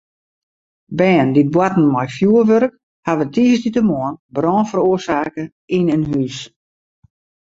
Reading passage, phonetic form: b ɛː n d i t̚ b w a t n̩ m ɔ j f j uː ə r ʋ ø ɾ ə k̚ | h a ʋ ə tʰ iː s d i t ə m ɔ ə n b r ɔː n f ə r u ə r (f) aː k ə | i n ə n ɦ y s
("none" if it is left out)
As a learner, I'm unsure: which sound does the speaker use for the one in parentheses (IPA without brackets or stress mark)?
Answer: s